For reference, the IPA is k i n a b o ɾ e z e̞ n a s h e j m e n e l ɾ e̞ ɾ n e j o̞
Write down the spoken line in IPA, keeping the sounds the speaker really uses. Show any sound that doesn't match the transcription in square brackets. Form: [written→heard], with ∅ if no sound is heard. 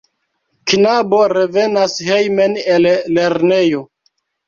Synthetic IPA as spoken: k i n a b o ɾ e [z→v] e̞ n a s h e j m e n e l [ɾ→l] e̞ ɾ n e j o̞